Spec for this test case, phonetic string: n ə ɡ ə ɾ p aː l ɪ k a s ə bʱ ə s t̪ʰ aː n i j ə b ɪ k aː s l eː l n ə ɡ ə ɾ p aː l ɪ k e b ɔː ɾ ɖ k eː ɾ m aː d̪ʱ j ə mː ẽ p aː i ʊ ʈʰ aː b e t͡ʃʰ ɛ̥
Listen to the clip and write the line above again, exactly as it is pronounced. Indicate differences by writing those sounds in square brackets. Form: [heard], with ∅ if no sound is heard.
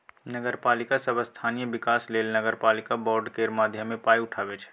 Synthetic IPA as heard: n ə ɡ ə ɾ p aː l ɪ k a s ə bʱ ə s t̪ʰ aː n i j ə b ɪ k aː s l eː l n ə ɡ ə ɾ p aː l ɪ k [a] b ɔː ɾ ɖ k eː ɾ m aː d̪ʱ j ə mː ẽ p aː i ʊ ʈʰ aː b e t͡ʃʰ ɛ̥